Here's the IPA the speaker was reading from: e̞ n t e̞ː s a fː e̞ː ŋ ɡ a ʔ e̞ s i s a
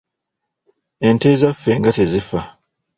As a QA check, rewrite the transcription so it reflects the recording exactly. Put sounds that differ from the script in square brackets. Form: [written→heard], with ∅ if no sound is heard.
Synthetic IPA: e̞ n t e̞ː [s→z] a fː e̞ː ŋ ɡ a [ʔ→t] e̞ [s→z] i [s→f] a